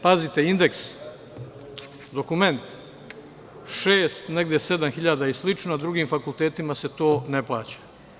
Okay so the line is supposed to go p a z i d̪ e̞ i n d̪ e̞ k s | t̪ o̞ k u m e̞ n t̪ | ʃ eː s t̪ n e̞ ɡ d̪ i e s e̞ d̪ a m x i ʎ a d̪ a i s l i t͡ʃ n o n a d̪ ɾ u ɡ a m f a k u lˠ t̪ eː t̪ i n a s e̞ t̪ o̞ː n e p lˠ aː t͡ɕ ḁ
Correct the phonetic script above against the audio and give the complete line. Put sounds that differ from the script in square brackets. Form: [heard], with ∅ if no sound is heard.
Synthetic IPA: p a z i [t̪] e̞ i n d̪ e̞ k s | [d̪] o̞ k u m e̞ n t̪ | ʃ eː s t̪ n e̞ ɡ d̪ [j] e s e̞ d̪ a m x i ʎ a d̪ a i s l i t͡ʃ n o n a d̪ ɾ u ɡ [i] m f a k u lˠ t̪ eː t̪ i [m] a s e̞ t̪ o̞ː n e p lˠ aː t͡ɕ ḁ